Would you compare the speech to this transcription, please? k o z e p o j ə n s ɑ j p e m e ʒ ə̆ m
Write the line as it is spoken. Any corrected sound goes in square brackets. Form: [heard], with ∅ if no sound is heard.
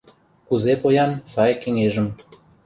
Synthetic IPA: k [u] z e p o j [ɑ] n s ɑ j [k] e [ŋ] e ʒ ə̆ m